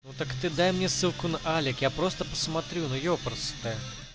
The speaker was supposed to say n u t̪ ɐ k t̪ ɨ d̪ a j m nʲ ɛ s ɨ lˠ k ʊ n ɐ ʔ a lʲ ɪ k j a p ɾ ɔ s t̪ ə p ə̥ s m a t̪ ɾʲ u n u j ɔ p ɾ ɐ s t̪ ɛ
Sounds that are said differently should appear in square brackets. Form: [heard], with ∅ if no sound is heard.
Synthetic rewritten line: n u t̪ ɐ k t̪ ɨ d̪ a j m nʲ ɛ s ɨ lˠ k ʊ n ɐ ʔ a lʲ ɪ k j a p ɾ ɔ s t̪ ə p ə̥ s m a t̪ ɾʲ u n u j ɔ p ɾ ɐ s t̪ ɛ